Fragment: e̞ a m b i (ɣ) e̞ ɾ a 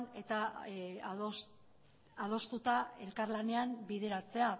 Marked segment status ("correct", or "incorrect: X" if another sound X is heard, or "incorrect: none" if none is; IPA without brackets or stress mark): incorrect: ð